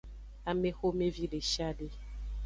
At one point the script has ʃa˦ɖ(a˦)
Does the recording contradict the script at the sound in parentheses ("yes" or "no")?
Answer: yes